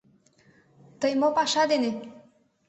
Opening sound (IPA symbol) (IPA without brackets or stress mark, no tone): t̪